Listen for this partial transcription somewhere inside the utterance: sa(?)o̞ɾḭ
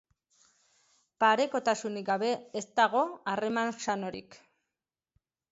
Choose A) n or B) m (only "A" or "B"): A